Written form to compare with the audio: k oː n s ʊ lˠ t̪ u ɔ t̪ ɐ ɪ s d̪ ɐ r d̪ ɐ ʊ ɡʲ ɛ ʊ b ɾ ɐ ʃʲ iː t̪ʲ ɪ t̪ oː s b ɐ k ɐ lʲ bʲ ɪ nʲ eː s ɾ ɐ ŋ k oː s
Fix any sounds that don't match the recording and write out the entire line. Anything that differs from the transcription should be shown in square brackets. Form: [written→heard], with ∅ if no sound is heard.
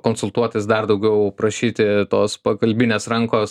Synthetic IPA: k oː n s ʊ lˠ t̪ u ɔ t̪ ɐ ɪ s d̪ ɐ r d̪ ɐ ʊ ɡʲ ɛ ʊ [b→p] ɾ ɐ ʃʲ iː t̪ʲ ɪ t̪ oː s [b→p] ɐ k ɐ lʲ bʲ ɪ nʲ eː s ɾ ɐ ŋ k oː s